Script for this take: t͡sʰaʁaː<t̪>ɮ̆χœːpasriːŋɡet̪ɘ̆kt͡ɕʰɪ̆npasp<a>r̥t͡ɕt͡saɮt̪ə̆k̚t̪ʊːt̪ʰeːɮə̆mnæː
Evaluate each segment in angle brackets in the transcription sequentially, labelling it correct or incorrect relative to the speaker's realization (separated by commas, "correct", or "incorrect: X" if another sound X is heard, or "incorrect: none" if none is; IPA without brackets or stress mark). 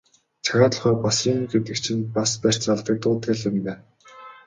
correct, incorrect: æ